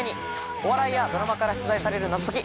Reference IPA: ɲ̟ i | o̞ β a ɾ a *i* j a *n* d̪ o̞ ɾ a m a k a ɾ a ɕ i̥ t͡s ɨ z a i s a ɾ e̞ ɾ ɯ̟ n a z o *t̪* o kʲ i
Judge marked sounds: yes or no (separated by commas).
yes, no, yes